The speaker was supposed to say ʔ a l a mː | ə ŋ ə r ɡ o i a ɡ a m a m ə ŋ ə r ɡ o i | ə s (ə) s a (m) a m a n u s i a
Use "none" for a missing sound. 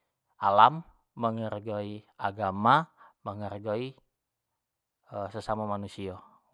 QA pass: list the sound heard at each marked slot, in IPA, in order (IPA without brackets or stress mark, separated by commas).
ə, m